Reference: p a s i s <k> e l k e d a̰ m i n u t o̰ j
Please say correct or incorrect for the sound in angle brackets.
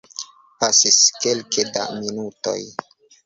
correct